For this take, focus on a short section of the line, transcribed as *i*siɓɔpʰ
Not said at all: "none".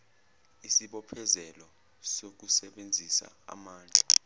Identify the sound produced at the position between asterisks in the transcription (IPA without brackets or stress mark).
i